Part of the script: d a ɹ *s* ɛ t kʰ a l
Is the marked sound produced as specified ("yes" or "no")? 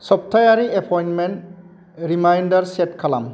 yes